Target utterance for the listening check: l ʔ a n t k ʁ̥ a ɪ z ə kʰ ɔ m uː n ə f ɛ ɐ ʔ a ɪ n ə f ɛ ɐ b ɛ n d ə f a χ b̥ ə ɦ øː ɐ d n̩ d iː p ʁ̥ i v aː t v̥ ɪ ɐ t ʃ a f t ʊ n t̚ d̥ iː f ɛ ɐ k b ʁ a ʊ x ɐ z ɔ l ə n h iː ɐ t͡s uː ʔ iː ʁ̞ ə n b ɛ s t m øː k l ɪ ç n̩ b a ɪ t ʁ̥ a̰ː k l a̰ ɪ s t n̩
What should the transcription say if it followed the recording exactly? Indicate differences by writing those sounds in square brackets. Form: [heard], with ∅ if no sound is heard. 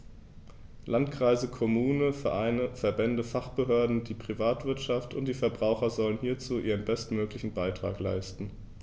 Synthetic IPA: l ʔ a n t k ʁ̥ a ɪ z ə kʰ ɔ m uː n ə f ɛ ɐ ʔ a ɪ n ə f ɛ ɐ b ɛ n d ə f a χ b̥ ə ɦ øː ɐ d n̩ d iː p ʁ̥ i v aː t v̥ ɪ ɐ t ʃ a f t ʊ n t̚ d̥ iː f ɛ ɐ [∅] b ʁ a ʊ x ɐ z ɔ l ə n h iː ɐ t͡s uː ʔ iː ʁ̞ ə n b ɛ s t m øː k l ɪ ç n̩ b a ɪ t ʁ̥ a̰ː k l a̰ ɪ s t n̩